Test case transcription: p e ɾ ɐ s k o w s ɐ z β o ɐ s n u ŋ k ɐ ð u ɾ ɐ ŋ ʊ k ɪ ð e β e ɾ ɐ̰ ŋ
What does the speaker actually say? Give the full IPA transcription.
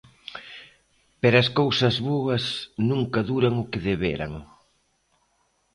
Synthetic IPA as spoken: p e ɾ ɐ s k o w s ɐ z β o ɐ s n u ŋ k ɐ ð u ɾ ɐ ŋ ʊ k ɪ ð e β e ɾ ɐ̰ ŋ

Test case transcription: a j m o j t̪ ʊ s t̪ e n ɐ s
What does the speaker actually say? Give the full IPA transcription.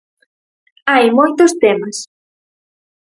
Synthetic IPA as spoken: a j m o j t̪ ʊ s t̪ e m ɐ s

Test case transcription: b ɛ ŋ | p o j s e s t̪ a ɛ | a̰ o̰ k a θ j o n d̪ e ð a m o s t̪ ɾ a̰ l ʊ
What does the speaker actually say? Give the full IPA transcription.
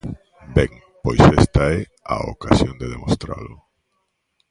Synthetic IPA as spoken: b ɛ ŋ | p o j s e s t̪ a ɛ | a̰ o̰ k a s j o n d̪ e ð e m o s t̪ ɾ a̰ l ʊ

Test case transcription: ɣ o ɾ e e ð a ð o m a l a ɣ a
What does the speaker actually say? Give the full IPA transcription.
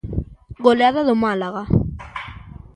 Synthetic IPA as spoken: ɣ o l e a ð a ð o m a l a ɣ a

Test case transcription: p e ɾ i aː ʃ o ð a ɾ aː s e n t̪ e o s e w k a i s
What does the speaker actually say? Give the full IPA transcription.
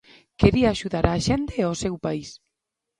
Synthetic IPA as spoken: k e ɾ i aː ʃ u ð a ɾ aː ʃ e n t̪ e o s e w p a i s

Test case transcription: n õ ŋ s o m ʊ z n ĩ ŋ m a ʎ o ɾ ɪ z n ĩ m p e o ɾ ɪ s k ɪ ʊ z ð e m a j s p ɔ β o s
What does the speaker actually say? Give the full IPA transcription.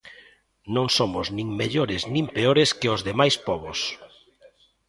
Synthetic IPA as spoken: n õ ŋ s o m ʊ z n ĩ ŋ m e ʎ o ɾ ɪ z n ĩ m p e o ɾ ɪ s k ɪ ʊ z ð e m a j s p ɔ β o s

